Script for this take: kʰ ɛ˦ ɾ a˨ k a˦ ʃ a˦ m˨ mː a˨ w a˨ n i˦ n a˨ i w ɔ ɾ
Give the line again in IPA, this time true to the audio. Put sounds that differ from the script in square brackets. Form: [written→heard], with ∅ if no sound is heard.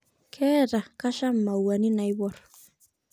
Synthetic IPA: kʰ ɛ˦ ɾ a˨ k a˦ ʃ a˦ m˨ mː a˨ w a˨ n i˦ n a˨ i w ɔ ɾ